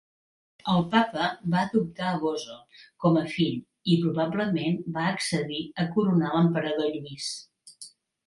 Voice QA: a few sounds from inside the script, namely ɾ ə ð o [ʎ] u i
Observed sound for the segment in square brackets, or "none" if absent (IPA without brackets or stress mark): ʎ